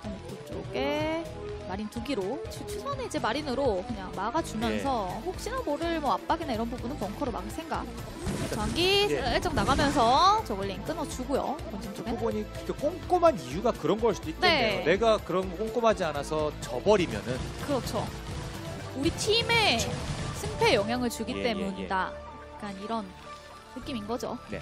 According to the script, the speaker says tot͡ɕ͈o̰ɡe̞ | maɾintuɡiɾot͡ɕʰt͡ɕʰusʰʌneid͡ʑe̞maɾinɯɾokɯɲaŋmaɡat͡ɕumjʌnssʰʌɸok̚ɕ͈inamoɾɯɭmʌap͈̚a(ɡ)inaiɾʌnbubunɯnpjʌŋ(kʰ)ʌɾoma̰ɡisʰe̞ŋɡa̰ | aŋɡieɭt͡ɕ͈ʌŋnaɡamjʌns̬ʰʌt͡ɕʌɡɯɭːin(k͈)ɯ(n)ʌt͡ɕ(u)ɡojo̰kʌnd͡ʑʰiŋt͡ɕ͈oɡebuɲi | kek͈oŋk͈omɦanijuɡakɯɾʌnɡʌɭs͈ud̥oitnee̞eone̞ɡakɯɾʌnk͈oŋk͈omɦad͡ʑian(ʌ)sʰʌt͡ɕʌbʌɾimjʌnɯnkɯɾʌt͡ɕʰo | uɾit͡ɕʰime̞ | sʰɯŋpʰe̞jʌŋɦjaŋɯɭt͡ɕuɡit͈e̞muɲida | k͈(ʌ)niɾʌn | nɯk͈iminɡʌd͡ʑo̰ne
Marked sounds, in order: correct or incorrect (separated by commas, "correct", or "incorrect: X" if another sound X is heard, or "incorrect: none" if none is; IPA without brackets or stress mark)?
correct, correct, correct, correct, correct, incorrect: a, incorrect: a